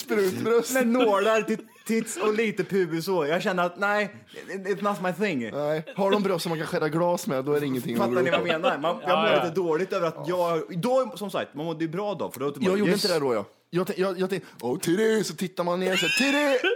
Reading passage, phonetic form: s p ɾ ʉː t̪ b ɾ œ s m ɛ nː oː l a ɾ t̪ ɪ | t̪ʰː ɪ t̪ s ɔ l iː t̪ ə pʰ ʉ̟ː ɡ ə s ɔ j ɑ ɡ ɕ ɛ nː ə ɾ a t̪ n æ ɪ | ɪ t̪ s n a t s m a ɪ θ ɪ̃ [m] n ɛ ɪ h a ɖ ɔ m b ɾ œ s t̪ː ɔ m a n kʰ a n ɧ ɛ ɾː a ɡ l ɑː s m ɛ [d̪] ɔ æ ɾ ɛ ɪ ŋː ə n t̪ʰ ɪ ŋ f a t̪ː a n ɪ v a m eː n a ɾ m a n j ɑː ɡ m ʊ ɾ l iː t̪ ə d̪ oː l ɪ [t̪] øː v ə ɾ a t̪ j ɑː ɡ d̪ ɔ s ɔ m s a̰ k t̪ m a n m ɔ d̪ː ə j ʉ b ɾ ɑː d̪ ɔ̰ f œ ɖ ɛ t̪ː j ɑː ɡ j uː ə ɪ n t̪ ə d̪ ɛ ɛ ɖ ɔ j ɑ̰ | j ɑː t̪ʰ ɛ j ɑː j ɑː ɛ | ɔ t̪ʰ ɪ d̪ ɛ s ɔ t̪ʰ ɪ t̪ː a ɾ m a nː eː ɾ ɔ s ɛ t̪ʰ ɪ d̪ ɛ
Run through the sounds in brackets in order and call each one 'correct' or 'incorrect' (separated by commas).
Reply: incorrect, correct, correct